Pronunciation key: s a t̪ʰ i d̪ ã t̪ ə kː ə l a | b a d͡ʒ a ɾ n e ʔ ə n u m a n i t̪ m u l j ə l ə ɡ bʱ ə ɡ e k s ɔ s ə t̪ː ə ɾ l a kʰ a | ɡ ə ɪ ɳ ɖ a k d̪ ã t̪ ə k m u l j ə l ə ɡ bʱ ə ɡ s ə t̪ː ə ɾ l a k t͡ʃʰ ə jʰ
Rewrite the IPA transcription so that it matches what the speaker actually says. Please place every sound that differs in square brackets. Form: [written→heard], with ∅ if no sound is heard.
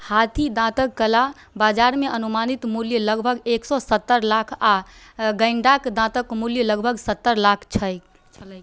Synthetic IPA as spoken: [s→h] a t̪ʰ i d̪ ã t̪ ə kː ə l a | b a d͡ʒ a ɾ [n→m] e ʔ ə n u m a n i t̪ m u l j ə l ə ɡ bʱ ə ɡ e k s ɔ s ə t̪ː ə ɾ l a kʰ a | ɡ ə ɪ ɳ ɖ a k d̪ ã t̪ ə k m u l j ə l ə ɡ bʱ ə ɡ s ə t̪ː ə ɾ l a [k→kʰ] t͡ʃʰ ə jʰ